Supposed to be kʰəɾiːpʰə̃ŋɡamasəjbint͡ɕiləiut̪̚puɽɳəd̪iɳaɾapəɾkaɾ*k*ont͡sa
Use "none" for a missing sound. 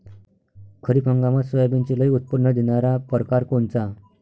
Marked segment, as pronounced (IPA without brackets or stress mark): k